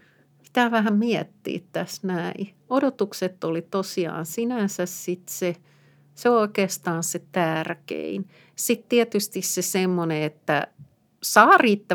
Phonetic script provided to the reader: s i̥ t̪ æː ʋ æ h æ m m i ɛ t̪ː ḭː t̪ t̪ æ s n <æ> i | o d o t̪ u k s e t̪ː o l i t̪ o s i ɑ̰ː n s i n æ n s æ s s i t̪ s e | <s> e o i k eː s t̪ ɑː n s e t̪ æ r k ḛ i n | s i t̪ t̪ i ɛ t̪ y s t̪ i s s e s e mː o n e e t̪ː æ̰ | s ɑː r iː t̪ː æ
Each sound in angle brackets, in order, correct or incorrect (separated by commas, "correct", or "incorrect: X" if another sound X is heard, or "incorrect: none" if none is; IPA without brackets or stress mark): correct, correct